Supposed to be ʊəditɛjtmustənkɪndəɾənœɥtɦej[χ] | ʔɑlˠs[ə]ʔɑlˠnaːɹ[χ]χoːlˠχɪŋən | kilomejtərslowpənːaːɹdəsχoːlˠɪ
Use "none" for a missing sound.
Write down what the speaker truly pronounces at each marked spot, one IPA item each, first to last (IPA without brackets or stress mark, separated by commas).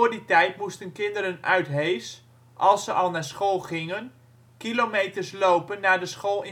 s, ə, s